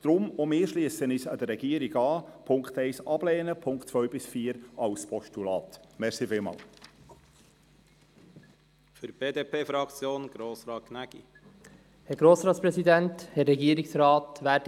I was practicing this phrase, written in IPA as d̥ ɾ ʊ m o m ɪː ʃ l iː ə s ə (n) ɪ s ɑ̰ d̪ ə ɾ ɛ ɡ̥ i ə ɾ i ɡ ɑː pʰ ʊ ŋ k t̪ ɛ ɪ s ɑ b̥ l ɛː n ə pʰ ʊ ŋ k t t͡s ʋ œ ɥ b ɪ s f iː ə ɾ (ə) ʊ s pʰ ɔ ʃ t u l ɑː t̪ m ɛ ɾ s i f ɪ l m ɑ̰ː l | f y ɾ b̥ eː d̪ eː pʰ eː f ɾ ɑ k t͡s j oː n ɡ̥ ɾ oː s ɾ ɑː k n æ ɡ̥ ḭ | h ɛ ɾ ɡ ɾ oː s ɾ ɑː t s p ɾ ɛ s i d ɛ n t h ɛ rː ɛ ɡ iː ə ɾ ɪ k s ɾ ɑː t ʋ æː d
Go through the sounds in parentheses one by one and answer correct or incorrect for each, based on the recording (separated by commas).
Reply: correct, incorrect